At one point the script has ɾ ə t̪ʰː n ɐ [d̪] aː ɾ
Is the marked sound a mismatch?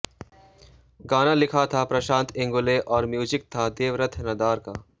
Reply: no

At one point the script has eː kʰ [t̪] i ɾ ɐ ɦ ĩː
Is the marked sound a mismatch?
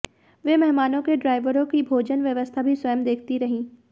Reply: no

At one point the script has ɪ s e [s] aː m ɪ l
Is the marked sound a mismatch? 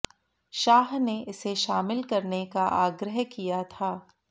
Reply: yes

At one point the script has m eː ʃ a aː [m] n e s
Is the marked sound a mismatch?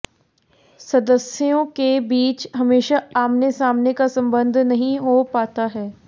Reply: no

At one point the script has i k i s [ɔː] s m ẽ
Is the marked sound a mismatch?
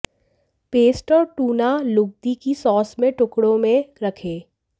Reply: no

